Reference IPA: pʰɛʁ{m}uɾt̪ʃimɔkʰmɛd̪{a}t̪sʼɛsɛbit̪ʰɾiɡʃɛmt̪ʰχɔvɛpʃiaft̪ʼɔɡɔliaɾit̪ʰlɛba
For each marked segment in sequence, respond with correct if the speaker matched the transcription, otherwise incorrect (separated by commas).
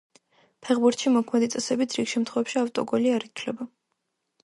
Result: incorrect, incorrect